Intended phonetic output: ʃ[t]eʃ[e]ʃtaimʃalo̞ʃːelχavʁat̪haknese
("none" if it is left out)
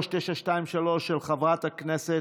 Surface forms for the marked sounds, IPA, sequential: t, a

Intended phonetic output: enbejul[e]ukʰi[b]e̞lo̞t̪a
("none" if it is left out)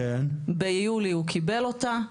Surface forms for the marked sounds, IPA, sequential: i, b

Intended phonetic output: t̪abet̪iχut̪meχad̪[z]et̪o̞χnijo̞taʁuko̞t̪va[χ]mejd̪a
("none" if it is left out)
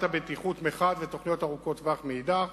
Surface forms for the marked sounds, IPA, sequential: v, χ

